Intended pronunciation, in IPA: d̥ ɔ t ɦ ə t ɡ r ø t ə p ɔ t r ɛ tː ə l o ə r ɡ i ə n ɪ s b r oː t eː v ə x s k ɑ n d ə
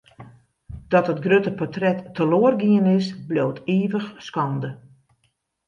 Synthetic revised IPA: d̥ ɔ t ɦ ə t ɡ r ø t ə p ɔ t r ɛ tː ə l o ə r ɡ i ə n ɪ s b l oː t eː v ə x s k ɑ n d ə